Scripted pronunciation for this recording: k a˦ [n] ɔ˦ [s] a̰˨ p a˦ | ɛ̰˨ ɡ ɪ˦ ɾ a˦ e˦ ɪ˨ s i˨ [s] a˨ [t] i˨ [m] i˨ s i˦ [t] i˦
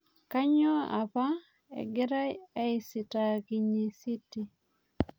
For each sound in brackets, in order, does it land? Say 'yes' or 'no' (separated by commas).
no, no, no, no, no, yes